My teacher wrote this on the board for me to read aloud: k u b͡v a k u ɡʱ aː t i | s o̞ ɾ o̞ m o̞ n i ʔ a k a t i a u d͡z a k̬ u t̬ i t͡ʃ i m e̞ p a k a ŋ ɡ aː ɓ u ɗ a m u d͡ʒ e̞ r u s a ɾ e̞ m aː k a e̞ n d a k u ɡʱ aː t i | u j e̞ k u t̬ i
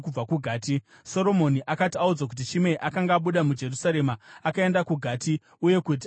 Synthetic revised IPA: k u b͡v a k u ɡʱ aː t i | s o̞ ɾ o̞ m o̞ n i ʔ a k a t i a u d͡z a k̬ u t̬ i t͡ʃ i m e̞ ʔ a k a ŋ ɡ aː ɓ u ɗ a m u d͡ʒ e̞ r u s a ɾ e̞ m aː k a e̞ n d a k u ɡʱ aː t i | u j e̞ k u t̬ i